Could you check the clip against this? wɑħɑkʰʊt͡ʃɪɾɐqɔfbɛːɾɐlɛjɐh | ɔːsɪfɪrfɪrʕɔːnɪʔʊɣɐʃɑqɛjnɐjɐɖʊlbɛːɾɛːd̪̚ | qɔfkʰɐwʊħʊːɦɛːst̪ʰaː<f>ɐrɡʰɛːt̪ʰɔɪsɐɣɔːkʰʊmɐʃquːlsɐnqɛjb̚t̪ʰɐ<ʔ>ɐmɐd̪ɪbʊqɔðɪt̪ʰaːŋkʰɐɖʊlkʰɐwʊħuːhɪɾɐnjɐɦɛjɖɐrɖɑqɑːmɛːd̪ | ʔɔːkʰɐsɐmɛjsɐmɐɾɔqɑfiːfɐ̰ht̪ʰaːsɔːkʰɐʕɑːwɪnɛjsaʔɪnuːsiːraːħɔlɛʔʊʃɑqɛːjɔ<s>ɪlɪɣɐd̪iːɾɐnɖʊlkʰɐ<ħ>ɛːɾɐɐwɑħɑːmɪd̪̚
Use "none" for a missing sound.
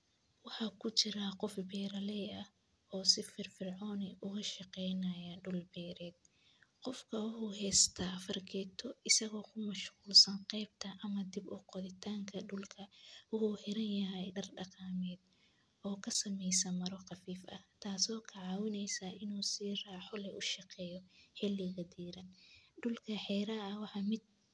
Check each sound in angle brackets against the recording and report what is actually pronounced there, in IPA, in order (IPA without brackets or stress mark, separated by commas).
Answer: f, ʔ, ħ, ħ